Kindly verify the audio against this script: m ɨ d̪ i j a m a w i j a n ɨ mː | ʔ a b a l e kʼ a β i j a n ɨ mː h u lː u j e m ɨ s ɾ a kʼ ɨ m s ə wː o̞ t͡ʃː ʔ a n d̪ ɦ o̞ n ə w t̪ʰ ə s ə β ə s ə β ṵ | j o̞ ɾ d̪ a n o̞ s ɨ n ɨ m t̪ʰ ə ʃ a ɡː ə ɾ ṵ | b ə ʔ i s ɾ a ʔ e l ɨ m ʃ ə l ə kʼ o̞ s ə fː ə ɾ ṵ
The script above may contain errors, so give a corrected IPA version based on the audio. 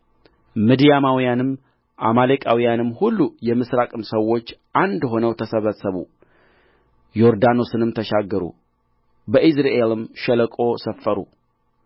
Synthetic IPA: m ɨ d̪ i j a m a w i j a n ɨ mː | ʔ a m a l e kʼ a w i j a n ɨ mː h u lː u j ɛ m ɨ s ɾ a kʼ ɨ m s ə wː o̞ t͡ʃː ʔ a n d̪ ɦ o̞ n ə w t̪ʰ ə s ə β ə s ə β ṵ | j o̞ ɾ d̪ a n o̞ s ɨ n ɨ m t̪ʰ ə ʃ a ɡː ə ɾ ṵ | b ə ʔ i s ɾ a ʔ e l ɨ m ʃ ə l ə kʼ o̞ s ə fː ə ɾ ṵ

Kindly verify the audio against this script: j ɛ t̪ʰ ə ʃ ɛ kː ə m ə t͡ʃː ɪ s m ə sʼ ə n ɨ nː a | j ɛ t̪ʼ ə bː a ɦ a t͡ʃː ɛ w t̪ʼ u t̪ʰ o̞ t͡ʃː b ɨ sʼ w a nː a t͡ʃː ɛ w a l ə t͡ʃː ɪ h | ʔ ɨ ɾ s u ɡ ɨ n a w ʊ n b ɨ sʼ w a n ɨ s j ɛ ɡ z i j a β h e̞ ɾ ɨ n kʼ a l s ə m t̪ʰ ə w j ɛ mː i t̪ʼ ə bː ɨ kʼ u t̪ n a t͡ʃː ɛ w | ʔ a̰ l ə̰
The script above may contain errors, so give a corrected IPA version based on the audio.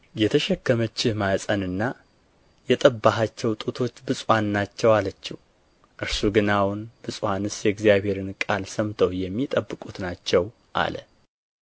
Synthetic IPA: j ɛ t̪ʰ ə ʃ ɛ kː ə m ə t͡ʃː ɪ h m a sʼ ə n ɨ nː a | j ɛ t̪ʼ ə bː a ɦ a t͡ʃː ɛ w t̪ʼ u t̪ʰ o̞ t͡ʃː b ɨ sʼ w a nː a t͡ʃː ɛ w a l ə t͡ʃː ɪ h | ʔ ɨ ɾ s u ɡ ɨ n a w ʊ n b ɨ sʼ w a n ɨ s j ɛ ɡ z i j a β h e̞ ɾ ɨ n kʼ a l s ə m t̪ʰ ə w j ɛ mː i t̪ʼ ə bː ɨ kʼ u t̪ n a t͡ʃː ɛ w | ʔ a̰ l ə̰

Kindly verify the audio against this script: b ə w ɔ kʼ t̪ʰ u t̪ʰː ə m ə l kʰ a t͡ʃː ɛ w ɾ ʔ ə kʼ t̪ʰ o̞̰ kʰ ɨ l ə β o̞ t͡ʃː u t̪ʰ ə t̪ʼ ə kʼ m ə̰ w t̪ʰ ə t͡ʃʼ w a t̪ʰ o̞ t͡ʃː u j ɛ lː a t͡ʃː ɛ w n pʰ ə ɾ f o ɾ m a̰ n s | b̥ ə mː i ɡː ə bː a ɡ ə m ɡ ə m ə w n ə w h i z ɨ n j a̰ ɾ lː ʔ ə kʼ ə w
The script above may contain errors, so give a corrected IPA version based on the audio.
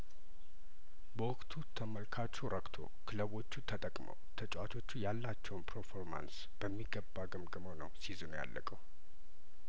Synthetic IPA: b ə w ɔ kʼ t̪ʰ u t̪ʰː ə m ə l kʰ a t͡ʃː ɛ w ɾ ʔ ə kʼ t̪ʰ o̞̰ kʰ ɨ l ə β o̞ t͡ʃː u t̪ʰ ə t̪ʼ ə kʼ m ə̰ w t̪ʰ ə t͡ʃʼ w a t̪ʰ o̞ t͡ʃː u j a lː a t͡ʃː ɛ w n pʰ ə ɾ f o ɾ m a̰ n s | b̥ ə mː i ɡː ə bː a ɡ ə m ɡ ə m ə w n ə w s i z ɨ n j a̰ lː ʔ ə kʼ ə w

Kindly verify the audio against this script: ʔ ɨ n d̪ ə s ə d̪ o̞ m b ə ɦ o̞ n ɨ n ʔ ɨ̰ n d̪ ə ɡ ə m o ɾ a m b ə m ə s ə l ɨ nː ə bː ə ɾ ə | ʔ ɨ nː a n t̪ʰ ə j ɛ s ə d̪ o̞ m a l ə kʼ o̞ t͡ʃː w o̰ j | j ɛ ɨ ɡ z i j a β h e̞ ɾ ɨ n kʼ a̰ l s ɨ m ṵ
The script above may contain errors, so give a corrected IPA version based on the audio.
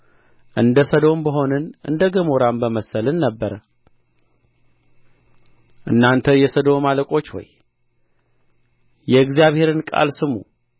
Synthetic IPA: ʔ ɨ n d̪ ə s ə d̪ o̞ m b ə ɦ o̞ n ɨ n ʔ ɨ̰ n d̪ ə ɡ ə m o ɾ a m b ə m ə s ə l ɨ nː ə bː ə ɾ ə | ʔ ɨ nː a n t̪ʰ ə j ɛ s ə d̪ o̞ m a l ə kʼ o̞ t͡ʃː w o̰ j | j ɛ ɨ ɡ z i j a β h e̞ ɾ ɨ n kʼ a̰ l s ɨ m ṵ

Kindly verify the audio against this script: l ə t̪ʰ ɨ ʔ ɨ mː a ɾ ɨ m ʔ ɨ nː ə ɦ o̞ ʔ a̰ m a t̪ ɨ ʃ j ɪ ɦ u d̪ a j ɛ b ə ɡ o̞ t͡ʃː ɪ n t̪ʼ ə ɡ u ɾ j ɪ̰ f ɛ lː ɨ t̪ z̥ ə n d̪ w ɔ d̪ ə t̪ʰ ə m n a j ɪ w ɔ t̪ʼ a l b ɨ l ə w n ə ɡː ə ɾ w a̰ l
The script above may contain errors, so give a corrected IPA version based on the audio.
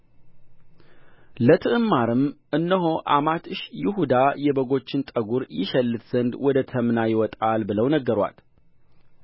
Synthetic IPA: l ə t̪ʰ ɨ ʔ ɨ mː a ɾ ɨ m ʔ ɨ nː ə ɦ o̞ ʔ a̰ m a t̪ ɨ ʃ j ɪ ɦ u d̪ a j ɛ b ə ɡ o̞ t͡ʃː ɪ n t̪ʼ ə ɡ u ɾ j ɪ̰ ʃ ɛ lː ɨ t̪ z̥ ə n d̪ w ɔ d̪ ə t̪ʰ ə m n a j ɪ w ɔ t̪ʼ a l b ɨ l ə w n ə ɡː ə ɾ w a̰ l

